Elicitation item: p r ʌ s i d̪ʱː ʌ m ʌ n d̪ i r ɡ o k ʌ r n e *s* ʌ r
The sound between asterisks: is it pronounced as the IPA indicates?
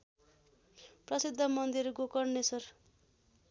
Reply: yes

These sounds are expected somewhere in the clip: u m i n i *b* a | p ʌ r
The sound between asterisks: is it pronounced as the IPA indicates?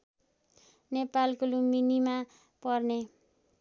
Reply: no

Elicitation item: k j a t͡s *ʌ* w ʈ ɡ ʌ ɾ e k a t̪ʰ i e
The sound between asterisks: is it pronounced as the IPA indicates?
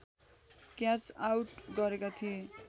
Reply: no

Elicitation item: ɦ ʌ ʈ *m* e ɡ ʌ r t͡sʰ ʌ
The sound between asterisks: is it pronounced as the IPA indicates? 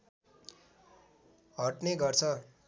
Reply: no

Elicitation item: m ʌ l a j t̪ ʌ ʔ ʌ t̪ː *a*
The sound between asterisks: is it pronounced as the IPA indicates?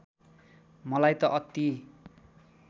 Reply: no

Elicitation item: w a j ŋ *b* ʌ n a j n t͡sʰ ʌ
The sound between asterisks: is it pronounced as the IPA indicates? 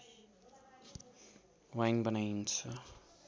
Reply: yes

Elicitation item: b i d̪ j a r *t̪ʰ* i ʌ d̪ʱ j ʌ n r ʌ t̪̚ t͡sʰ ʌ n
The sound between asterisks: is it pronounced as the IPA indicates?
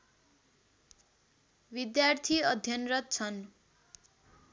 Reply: yes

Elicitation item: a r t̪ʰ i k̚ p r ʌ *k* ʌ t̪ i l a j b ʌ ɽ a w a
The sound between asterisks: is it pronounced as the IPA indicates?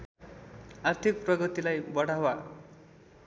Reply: no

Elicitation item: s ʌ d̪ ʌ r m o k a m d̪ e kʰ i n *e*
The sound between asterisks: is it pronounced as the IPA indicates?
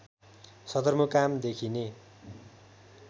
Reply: yes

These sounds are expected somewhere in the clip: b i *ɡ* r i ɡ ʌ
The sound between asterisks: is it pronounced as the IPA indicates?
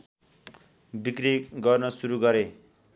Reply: no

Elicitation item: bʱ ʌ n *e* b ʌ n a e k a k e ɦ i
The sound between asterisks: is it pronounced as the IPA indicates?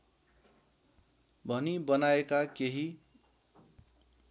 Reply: no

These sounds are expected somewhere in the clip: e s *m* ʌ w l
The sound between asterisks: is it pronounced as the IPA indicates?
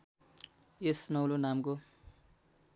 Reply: no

